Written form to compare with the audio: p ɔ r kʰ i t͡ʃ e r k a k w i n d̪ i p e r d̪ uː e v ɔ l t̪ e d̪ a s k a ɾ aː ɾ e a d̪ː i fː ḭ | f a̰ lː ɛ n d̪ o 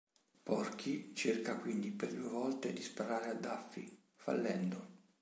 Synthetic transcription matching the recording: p ɔ r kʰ i t͡ʃ e r k a k w i n d̪ i p e r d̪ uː e v ɔ l t̪ e d̪ i s p a ɾ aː ɾ e a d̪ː a fː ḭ | f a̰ lː ɛ n d̪ o